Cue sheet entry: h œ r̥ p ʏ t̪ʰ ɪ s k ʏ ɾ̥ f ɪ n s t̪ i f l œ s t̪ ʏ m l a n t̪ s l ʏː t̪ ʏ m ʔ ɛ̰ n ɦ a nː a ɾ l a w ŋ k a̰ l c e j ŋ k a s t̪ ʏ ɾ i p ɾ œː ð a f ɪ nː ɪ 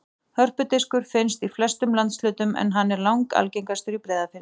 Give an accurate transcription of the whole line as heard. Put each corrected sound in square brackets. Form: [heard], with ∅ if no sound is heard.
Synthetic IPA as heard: h œ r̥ p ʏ [t̪] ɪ s k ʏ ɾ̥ f ɪ n s t̪ i f l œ s t̪ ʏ m l a n t̪ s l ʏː t̪ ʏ m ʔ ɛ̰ n ɦ a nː [ɛ] ɾ l a w ŋ k a̰ l c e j ŋ k a s t̪ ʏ ɾ i p ɾ [ɛː] ð a f ɪ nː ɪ

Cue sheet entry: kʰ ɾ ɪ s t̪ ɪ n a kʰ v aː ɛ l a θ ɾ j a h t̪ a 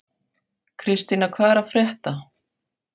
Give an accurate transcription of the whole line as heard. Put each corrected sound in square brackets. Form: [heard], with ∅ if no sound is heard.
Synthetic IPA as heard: kʰ ɾ ɪ s t̪ [i] n a kʰ v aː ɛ [ɾ] a [f] ɾ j [ɛ] h t̪ a

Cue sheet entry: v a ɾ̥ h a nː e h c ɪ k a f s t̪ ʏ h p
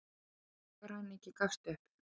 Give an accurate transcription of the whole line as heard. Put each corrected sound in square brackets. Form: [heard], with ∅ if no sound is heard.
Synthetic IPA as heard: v a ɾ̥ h a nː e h c ɪ k a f s t̪ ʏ h p

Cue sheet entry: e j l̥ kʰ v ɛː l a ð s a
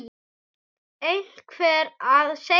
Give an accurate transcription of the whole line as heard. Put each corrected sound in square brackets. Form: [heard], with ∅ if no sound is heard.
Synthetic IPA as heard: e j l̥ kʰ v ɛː [ɾ] a ð s [e]

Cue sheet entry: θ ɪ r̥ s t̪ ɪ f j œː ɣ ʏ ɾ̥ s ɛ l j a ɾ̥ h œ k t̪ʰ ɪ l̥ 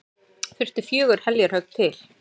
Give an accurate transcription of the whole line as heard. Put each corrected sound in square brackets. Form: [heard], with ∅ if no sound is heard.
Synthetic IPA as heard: [f] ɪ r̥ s t̪ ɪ f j œː ɣ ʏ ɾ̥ [h] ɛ l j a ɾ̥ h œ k t̪ʰ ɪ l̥

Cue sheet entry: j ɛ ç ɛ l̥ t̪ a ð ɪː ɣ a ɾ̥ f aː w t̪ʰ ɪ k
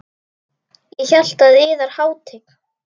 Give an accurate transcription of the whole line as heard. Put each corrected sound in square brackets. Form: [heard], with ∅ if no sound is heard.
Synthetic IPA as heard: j ɛ ç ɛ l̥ t̪ a ð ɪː [ð] a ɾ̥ [h] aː w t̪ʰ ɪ k

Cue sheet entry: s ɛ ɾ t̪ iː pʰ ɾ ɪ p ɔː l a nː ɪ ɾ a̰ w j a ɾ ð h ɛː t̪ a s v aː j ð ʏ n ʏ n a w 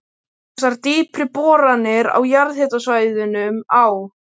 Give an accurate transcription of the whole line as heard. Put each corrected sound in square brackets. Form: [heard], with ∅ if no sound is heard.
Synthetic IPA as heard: s [a] ɾ t̪ iː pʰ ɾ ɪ p ɔː [ɾ] a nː ɪ ɾ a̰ w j a ɾ ð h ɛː t̪ a s v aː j ð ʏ n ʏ [m] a w

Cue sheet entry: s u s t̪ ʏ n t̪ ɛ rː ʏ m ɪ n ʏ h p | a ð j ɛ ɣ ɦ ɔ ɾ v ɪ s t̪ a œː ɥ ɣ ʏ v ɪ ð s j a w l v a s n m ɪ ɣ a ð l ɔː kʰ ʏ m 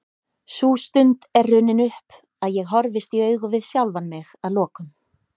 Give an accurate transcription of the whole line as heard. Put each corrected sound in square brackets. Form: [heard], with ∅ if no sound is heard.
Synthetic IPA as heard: s u s t̪ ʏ n t̪ ɛ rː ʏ [n] ɪ n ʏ h p | a ð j ɛ ɣ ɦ ɔ ɾ v ɪ s t̪ [i] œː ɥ ɣ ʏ v ɪ ð s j a w l v a [∅] n m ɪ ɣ a ð l ɔː [k] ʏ m

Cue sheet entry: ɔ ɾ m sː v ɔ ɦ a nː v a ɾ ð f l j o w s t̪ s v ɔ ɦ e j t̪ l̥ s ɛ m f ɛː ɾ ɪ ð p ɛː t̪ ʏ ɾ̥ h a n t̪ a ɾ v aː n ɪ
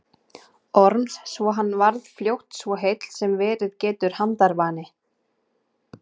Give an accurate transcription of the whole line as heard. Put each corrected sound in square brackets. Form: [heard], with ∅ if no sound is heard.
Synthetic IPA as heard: ɔ ɾ m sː v ɔ ɦ a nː v a ɾ ð f l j o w [h] t̪ s v ɔ ɦ e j t̪ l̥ s ɛ m [v] ɛː ɾ ɪ ð [c] ɛː t̪ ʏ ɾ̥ h a n t̪ a ɾ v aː n ɪ

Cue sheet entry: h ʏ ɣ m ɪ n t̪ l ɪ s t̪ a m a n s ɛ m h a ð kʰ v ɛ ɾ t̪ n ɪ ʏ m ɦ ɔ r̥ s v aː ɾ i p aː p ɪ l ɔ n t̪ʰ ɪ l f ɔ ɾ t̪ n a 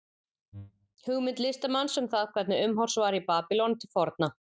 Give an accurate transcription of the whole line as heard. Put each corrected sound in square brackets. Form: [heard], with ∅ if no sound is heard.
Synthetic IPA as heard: h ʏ ɣ m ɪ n t̪ l ɪ s t̪ a m a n s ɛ m [θ] a ð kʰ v ɛ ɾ t̪ n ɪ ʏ m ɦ ɔ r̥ s v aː ɾ i p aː p ɪ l ɔ n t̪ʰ ɪ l f ɔ ɾ t̪ n a

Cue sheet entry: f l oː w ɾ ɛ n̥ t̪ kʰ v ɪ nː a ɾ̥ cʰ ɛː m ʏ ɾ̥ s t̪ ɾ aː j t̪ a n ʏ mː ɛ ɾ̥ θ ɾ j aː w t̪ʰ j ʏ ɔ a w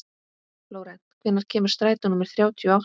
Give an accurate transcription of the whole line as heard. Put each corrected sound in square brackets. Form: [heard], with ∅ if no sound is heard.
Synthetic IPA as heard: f l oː w ɾ ɛ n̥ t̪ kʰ v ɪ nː a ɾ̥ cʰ ɛː m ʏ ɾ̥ s t̪ ɾ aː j t̪ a n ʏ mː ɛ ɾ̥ θ ɾ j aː w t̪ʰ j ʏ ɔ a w

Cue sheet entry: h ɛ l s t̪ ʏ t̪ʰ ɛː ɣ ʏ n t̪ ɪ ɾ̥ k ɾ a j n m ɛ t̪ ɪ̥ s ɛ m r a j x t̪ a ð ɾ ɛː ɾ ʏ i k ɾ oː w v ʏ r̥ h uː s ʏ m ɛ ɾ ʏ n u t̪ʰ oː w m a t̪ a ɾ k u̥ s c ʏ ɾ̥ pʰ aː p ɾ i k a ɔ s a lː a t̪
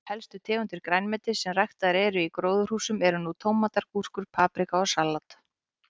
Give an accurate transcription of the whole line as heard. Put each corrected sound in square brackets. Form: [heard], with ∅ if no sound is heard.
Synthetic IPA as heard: h ɛ l s t̪ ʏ t̪ʰ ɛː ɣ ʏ n t̪ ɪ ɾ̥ k ɾ a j n m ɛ t̪ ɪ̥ s ɛ m r a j x t̪ a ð ɾ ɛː ɾ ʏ i k ɾ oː w [ð] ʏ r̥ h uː s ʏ m ɛ ɾ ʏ n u t̪ʰ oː w m a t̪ a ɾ k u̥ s [k] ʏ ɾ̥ pʰ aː p ɾ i k a ɔ s a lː a t̪

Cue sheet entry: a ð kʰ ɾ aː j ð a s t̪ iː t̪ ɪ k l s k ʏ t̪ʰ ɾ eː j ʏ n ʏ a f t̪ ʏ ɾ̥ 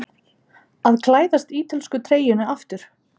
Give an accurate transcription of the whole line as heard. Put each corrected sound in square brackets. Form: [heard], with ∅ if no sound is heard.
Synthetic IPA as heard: a ð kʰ [l] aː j ð a s t̪ iː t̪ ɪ [∅] l s k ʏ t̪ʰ ɾ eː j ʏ n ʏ a f t̪ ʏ ɾ̥

